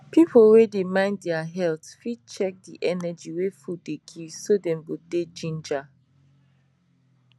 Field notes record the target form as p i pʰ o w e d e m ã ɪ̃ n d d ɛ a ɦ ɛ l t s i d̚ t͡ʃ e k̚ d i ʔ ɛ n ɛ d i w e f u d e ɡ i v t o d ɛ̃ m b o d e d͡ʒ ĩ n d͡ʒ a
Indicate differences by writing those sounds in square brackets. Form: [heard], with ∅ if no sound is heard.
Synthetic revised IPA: p i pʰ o w e d e m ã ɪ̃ n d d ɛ a ɦ ɛ l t [f] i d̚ t͡ʃ [ɛ] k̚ d i ʔ ɛ n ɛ [d͡ʒ] i w e f u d e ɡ i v [s] o d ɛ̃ m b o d e d͡ʒ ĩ n d͡ʒ a

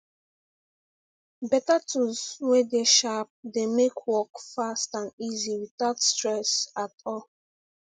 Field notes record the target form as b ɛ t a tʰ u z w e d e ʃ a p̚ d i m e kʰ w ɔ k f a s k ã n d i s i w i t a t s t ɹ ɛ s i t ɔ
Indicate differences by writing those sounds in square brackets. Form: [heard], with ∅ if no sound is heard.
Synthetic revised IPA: b ɛ t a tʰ u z w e d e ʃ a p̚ d [e] m e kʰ w ɔ k f a s [t] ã n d i [z] i w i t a t s t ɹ ɛ s [a] t ɔ

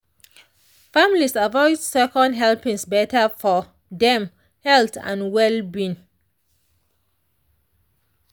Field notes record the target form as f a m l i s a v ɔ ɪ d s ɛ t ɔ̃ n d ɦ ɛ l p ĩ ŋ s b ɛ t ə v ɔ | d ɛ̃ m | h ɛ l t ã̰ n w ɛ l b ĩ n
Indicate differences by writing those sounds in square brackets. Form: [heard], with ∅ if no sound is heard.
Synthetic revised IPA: f a m l i s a v ɔ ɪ d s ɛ [k] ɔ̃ n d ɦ ɛ l p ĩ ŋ s b ɛ t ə [f] ɔ | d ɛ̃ m | h ɛ l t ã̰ n w ɛ l b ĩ n

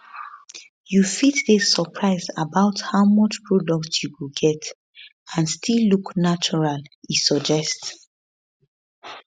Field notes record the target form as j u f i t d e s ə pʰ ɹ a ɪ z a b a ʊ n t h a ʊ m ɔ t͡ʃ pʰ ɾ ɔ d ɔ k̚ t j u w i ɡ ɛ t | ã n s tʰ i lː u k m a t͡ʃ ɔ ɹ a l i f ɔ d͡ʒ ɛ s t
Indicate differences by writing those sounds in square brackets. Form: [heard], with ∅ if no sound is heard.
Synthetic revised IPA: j u f i t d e s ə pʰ ɹ a ɪ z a b a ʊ [∅] t h a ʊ m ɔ t͡ʃ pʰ [ɹ] ɔ d ɔ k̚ t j u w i ɡ ɛ t | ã n s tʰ i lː u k [n] a t͡ʃ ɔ ɹ a l i [s] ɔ d͡ʒ ɛ s t

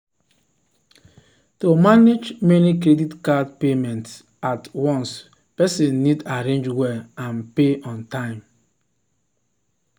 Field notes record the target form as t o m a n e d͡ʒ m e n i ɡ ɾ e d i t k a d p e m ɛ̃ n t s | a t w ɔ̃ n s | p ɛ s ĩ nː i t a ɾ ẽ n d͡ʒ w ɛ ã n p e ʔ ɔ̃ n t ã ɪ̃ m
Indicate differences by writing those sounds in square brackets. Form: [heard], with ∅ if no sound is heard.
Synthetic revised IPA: t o m a n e d͡ʒ m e n i [k] ɾ e d i t k a d p e m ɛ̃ n t s | a t w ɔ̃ n s | p ɛ s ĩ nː i [d] a ɾ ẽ n d͡ʒ w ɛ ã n p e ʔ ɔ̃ n t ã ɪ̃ m

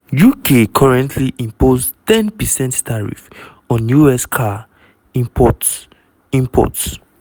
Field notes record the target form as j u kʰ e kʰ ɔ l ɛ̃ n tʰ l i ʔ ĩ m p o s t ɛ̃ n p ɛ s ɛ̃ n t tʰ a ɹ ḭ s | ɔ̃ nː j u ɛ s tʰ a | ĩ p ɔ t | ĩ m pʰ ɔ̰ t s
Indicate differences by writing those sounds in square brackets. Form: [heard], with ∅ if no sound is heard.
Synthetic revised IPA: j u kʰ e kʰ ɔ [ɹ] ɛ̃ n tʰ l i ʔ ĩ m p o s t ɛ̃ n p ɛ s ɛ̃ n t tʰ a ɹ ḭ [f] | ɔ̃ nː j u ɛ s [kʰ] a | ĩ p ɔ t | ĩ m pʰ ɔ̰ t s

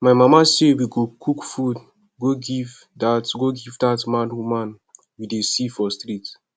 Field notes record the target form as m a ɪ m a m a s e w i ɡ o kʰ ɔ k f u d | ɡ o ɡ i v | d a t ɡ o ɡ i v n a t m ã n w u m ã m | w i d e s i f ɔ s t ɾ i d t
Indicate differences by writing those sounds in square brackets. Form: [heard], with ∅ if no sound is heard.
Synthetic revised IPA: m a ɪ m a m a s e w i ɡ o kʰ [u] k f u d | ɡ o ɡ i v | d a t ɡ o ɡ i v [d] a t m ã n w u m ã [n] | w i d e s i f ɔ s t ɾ i [∅] t

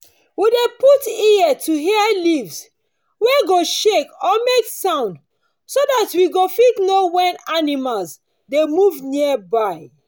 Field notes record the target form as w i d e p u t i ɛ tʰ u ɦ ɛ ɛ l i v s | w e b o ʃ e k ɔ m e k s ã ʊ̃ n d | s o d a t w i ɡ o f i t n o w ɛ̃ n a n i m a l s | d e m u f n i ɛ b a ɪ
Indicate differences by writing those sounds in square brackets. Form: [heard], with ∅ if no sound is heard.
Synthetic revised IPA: w i d e p u t i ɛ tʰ u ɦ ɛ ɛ l i v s | w e [ɡ] o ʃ e k ɔ m e k s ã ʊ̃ n d | s o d a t w i ɡ o f i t n o w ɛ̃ n a n i m a l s | d e m u [v] n i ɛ b a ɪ

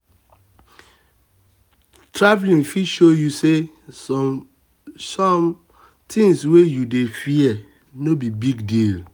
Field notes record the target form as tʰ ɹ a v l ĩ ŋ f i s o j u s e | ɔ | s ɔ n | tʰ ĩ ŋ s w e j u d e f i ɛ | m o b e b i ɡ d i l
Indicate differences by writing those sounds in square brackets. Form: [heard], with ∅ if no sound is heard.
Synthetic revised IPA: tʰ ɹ a v l ĩ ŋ f i [ʃ] o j u s e | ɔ | s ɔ [m] | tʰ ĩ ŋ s w e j u d e f i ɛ | [n] o b [i] b i ɡ d i l

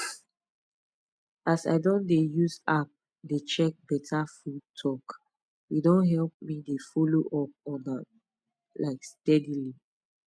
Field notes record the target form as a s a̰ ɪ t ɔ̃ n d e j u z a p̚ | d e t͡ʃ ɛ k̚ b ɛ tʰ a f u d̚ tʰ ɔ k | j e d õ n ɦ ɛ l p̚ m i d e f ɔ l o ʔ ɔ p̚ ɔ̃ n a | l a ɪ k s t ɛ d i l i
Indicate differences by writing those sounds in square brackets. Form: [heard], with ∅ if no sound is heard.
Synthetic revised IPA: a s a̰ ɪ [d] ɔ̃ n d e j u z a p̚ | d e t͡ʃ ɛ k̚ b ɛ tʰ a f u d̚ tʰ ɔ k | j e d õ n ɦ ɛ l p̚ m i d e f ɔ l o ʔ ɔ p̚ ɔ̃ n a | l a ɪ k s t ɛ d i l i

